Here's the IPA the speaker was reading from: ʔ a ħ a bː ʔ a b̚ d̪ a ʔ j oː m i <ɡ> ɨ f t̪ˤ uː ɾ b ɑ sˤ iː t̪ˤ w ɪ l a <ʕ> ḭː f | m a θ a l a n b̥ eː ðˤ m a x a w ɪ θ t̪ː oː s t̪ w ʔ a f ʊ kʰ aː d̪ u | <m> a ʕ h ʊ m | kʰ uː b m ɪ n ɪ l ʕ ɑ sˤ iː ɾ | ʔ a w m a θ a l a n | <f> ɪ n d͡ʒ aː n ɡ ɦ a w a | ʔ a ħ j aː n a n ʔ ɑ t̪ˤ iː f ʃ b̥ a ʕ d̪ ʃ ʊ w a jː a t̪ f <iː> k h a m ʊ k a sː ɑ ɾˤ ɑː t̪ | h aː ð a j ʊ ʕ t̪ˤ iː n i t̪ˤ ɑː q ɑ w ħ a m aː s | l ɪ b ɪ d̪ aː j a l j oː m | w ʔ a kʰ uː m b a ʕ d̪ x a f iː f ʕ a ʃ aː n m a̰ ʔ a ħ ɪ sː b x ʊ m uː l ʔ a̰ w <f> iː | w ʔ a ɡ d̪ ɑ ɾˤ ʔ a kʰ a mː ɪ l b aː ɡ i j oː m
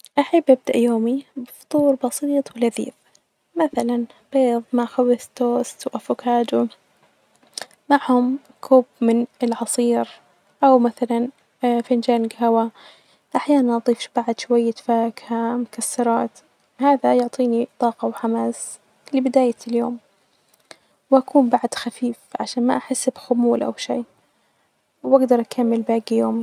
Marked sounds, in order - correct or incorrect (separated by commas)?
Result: incorrect, incorrect, correct, correct, incorrect, incorrect